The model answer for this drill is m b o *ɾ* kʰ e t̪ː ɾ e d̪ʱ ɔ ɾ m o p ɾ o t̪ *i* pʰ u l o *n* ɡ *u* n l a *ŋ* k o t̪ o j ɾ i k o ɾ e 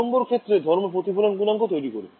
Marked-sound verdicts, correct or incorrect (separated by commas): correct, correct, correct, correct, correct